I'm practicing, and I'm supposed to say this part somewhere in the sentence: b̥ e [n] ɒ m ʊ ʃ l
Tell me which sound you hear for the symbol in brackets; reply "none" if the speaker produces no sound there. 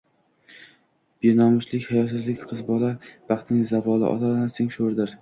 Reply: n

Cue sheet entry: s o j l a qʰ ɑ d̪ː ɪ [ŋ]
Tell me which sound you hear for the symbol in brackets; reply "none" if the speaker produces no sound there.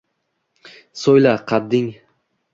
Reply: ŋ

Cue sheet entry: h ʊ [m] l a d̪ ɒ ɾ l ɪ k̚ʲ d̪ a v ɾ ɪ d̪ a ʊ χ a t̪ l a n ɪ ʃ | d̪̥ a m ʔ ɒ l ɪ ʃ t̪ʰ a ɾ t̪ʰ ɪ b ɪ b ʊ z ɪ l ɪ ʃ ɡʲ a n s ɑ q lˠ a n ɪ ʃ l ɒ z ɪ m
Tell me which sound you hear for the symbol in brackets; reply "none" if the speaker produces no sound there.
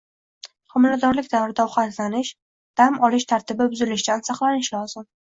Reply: m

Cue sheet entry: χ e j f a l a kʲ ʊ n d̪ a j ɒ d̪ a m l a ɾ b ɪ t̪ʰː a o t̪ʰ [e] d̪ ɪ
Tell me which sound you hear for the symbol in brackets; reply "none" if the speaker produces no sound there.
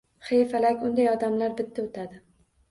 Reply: a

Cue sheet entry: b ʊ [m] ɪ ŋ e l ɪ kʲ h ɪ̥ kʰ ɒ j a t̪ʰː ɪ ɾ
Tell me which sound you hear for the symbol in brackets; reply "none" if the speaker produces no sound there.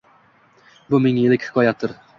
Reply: m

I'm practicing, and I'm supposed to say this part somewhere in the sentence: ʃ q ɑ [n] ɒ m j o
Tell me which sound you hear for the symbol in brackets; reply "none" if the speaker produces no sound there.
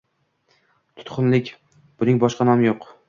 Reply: n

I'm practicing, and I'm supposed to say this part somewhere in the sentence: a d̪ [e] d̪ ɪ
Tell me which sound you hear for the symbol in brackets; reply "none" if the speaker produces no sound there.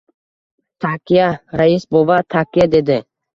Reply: e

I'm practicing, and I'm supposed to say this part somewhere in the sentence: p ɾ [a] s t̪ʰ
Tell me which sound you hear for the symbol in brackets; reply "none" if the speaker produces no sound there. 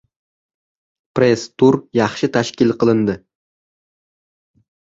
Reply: e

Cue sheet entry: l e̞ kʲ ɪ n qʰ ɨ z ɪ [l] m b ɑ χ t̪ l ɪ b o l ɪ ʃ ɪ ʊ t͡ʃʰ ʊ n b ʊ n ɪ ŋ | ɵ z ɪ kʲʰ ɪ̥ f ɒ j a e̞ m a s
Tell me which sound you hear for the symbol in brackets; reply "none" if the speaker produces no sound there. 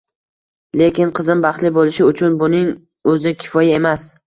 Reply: none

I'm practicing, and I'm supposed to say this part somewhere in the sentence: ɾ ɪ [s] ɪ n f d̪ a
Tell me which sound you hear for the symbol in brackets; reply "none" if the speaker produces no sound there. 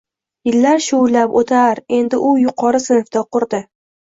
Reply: s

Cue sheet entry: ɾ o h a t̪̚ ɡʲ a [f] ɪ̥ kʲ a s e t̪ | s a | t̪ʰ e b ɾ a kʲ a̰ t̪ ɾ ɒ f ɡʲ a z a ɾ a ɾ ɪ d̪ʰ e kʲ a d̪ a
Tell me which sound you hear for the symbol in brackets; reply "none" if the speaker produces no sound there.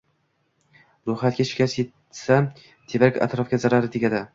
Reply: ʃ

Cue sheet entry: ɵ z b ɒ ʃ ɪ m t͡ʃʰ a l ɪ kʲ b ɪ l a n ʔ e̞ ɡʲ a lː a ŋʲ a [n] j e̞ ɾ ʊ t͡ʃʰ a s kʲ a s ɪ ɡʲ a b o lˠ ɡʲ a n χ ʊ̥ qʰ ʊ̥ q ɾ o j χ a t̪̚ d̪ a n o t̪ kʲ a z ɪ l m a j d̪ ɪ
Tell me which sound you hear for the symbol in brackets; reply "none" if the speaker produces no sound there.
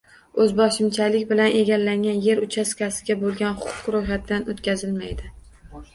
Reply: n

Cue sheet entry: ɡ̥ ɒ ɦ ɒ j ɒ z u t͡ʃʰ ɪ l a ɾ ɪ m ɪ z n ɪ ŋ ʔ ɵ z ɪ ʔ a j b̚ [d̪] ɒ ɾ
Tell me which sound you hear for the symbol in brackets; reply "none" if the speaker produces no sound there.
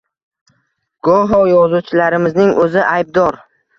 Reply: d̪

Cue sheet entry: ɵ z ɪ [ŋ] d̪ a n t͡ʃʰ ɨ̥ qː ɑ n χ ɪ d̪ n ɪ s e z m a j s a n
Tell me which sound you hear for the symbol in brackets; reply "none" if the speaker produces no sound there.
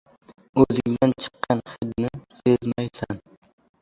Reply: ŋ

